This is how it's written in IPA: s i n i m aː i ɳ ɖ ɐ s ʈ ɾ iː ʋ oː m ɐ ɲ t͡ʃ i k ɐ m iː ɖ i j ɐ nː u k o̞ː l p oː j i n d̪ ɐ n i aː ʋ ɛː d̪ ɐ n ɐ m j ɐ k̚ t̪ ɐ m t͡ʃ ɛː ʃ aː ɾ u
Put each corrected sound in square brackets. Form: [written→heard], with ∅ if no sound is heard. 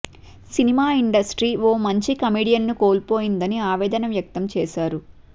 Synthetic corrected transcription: s i n i m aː i ɳ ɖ ɐ s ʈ ɾ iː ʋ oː m ɐ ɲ t͡ʃ i k ɐ m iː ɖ i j ɐ nː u k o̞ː l p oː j i n d̪ ɐ n i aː ʋ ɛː d̪ ɐ n ɐ m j ɐ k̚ t̪ ɐ m t͡ʃ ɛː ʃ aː ɾ u